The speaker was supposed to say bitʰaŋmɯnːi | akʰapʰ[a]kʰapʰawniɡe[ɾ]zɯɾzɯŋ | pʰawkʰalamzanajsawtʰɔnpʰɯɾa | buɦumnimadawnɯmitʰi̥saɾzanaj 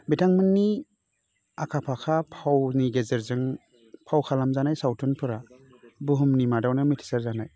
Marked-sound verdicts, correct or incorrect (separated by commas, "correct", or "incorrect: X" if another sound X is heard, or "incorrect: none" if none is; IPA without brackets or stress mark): correct, incorrect: none